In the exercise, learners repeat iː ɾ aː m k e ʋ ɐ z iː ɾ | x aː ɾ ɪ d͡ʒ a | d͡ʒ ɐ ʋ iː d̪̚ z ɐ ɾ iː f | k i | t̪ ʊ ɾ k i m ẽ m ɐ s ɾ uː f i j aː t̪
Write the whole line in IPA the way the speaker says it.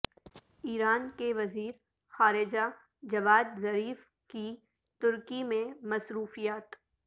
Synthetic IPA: iː ɾ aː n k e ʋ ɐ z iː ɾ | x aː ɾ ɪ d͡ʒ a | d͡ʒ ɐ ʋ aː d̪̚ z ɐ ɾ iː f | k i | t̪ ʊ ɾ k i m ẽ m ɐ s ɾ uː f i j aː t̪